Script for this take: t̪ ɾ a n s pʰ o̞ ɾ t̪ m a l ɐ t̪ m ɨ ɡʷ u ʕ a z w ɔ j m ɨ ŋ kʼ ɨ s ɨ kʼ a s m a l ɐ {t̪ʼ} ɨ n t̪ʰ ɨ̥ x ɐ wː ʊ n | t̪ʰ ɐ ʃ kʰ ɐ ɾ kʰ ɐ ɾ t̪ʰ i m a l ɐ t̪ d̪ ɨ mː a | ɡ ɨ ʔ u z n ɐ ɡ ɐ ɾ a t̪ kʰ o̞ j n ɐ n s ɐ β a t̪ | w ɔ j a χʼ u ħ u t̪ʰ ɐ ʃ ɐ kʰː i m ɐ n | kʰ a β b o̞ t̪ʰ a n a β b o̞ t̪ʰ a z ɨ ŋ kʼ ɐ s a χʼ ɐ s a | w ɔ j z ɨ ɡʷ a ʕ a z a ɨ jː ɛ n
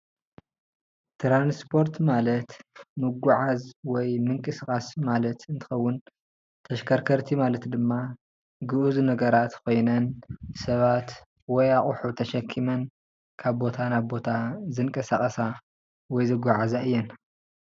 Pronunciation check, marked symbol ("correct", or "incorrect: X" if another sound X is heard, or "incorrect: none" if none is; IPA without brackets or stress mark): incorrect: t̪